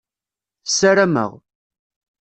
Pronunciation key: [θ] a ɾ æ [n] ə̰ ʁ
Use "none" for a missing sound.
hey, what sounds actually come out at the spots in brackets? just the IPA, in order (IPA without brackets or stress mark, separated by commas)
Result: s, m